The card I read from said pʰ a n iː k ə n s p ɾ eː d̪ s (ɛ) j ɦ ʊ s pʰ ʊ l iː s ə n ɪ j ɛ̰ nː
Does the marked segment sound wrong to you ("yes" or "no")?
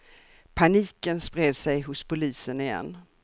no